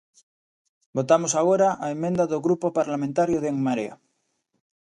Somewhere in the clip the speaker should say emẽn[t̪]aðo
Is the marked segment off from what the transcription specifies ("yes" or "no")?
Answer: yes